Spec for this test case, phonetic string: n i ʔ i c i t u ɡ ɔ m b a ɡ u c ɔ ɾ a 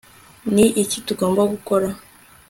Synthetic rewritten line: n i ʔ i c i t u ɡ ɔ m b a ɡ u k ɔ ɾ a